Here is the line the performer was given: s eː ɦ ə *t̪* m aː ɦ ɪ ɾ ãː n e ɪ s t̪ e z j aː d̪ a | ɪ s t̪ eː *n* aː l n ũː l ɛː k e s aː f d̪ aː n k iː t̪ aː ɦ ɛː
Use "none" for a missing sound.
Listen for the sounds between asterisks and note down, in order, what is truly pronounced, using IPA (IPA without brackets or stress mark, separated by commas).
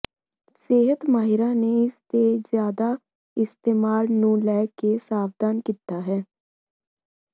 t̪, m